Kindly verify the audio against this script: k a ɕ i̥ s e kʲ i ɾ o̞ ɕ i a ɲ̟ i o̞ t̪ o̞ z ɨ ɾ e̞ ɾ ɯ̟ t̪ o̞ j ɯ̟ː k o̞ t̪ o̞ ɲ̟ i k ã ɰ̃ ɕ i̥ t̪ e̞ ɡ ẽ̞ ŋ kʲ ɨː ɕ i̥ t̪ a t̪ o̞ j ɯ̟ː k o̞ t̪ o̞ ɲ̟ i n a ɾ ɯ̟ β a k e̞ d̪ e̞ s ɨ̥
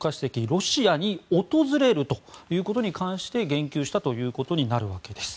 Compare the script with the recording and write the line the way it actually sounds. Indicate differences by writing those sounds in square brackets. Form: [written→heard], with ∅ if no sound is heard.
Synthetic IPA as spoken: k a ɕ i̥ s e kʲ i ɾ o̞ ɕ i a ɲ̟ i o̞ t̪ o̞ z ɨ ɾ e̞ ɾ ɯ̟ t̪ o̞ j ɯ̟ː k o̞ t̪ o̞ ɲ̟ i k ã ɰ̃ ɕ i̥ t̪ e̞ ɡ ẽ̞ ŋ kʲ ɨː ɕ i̥ t̪ a t̪ o̞ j ɯ̟ː k o̞ t̪ o̞ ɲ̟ i n a ɾ ɯ̟ β a k e̞ d̪ e̞ s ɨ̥